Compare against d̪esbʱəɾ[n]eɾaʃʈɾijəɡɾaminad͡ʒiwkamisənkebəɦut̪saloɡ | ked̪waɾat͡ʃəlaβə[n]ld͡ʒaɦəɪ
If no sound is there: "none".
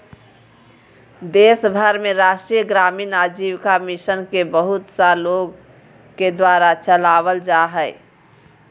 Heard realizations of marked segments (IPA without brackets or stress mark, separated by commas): m, none